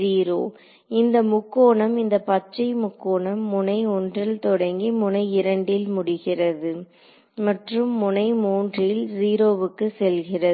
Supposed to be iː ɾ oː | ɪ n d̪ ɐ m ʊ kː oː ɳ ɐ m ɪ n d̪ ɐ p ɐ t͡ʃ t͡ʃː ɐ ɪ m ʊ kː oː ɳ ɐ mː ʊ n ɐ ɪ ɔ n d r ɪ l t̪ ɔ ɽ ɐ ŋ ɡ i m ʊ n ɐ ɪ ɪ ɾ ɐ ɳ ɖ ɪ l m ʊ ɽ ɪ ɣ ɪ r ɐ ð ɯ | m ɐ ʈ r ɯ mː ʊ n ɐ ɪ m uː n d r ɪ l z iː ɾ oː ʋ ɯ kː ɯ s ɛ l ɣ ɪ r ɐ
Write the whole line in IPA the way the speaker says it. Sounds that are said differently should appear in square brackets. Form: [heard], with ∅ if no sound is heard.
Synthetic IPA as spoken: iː ɾ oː | ɪ n d̪ ɐ m ʊ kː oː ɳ ɐ m ɪ n d̪ ɐ p ɐ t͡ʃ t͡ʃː ɐ ɪ m ʊ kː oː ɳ ɐ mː ʊ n ɐ ɪ ɔ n d r ɪ l t̪ ɔ ɽ ɐ ŋ ɡ i m ʊ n ɐ ɪ ɪ ɾ ɐ ɳ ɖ ɪ l m ʊ ɽ ɪ ɣ ɪ r ɐ ð ɯ | m ɐ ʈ r ɯ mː ʊ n ɐ ɪ m uː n d r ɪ l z iː ɾ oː ʋ ɯ kː ɯ s ɛ l ɣ ɪ r ɐ